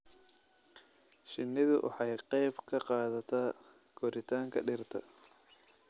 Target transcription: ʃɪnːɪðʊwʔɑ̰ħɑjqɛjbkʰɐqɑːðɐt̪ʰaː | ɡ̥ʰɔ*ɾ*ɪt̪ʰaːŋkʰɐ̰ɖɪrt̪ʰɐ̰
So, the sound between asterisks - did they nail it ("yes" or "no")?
yes